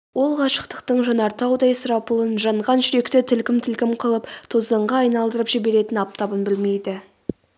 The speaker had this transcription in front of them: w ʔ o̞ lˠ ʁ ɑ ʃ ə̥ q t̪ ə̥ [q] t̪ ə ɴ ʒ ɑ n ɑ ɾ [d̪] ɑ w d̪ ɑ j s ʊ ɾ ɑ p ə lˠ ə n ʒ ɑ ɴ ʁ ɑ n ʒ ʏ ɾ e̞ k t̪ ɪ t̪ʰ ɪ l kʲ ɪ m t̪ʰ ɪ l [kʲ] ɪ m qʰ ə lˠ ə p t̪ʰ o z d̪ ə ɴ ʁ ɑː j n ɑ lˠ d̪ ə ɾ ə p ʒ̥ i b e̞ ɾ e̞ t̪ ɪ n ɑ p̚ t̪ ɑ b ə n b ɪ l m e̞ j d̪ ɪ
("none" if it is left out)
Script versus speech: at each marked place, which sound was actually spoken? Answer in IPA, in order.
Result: q, t̪, kʲ

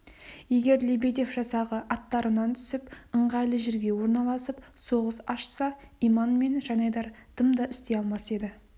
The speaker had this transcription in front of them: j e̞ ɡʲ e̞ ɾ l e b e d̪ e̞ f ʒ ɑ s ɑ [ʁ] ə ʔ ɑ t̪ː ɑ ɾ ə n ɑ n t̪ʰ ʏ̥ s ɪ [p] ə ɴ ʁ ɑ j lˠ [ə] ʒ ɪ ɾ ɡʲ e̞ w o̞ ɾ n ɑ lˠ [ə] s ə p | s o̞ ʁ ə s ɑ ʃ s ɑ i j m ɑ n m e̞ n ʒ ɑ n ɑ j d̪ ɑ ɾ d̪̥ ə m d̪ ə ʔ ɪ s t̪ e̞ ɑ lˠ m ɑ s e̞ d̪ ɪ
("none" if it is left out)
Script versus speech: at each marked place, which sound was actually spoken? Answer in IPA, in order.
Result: ʁ, p, ə, ɑ

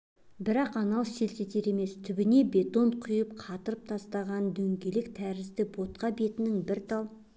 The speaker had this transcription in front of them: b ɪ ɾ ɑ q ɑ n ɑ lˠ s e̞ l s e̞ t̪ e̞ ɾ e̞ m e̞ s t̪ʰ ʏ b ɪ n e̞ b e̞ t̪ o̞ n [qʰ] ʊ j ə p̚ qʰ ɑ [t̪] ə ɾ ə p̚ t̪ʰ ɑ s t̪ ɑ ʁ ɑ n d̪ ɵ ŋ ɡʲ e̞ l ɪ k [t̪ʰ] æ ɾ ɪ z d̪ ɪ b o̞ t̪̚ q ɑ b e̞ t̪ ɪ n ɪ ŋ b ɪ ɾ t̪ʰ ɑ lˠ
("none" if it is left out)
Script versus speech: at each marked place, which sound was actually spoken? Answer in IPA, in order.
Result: qʰ, t̪, t̪ʰ

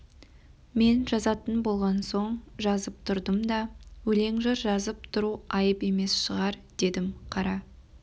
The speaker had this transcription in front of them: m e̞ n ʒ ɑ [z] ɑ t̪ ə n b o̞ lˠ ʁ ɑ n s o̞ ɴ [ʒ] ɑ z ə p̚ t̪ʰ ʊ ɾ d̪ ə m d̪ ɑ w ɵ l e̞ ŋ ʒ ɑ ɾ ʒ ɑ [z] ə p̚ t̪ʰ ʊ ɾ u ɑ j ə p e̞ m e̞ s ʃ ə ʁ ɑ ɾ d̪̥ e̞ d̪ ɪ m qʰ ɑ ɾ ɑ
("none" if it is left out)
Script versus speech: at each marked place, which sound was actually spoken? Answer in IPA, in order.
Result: z, ʒ, z

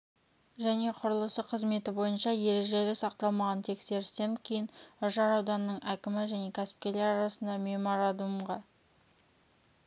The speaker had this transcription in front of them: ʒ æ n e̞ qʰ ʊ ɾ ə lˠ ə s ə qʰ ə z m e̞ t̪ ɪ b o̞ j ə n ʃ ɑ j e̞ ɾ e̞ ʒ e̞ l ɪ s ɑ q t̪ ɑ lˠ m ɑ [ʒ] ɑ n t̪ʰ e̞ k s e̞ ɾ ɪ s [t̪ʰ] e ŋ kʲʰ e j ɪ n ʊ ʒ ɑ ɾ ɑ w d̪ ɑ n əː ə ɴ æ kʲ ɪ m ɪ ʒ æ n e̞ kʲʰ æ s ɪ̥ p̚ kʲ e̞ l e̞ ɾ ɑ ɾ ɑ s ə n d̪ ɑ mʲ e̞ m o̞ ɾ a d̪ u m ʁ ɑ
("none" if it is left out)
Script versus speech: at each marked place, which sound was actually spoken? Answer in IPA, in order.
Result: ʁ, t̪

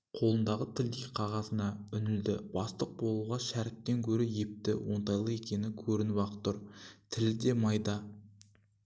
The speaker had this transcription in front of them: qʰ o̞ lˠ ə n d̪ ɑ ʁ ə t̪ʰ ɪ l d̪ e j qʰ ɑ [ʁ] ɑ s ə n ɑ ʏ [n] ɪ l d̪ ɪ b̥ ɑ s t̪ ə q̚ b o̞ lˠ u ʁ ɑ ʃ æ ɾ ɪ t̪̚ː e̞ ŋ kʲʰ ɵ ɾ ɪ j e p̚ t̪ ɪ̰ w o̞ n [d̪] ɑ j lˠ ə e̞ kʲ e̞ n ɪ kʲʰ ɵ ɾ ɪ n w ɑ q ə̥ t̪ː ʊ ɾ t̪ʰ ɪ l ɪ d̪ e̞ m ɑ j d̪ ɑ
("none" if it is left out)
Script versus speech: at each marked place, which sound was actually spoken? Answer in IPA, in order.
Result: ʁ, n, t̪

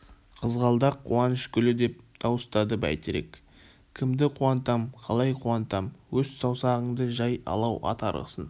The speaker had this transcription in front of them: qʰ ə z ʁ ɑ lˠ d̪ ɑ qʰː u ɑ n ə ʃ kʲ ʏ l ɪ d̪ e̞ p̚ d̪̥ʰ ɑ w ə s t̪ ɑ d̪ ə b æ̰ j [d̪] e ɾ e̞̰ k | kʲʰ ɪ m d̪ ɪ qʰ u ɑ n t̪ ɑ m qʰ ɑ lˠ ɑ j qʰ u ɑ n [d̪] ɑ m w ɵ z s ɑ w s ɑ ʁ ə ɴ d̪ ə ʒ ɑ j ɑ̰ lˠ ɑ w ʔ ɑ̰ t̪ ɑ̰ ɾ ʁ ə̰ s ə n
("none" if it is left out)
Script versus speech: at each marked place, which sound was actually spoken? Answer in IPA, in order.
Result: t̪, t̪

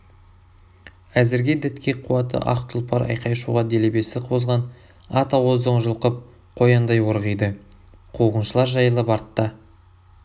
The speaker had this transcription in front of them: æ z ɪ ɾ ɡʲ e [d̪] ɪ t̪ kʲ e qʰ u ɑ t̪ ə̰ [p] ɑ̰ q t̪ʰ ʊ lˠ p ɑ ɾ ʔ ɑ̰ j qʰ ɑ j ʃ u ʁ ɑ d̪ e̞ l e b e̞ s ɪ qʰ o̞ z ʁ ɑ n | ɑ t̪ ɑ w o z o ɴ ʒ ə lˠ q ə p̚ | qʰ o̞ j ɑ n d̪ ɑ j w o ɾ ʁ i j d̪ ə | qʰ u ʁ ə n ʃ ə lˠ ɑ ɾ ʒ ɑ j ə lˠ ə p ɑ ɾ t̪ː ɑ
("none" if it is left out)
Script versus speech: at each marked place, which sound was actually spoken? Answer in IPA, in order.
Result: d̪, ʔ

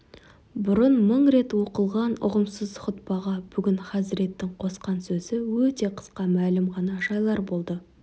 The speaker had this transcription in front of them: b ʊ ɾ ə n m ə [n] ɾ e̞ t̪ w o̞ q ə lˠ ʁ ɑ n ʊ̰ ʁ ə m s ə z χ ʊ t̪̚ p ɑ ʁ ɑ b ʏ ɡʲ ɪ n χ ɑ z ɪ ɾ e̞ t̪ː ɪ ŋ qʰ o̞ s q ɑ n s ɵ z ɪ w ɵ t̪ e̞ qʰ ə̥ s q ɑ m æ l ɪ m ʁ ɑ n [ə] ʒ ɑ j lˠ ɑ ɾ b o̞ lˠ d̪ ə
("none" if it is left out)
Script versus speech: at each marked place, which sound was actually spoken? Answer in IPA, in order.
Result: ɴ, ɑ

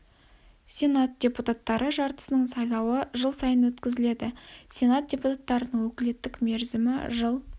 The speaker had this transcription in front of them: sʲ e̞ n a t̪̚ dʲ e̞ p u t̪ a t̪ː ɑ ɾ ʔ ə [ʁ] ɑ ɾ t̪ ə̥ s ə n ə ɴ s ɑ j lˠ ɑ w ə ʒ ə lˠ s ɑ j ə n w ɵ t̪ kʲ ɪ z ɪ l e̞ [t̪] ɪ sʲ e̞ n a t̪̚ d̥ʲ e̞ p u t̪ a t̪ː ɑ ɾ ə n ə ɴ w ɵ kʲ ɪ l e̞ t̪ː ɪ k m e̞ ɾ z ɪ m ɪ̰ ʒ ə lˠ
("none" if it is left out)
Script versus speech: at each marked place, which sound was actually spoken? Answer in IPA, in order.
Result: ʒ, d̪

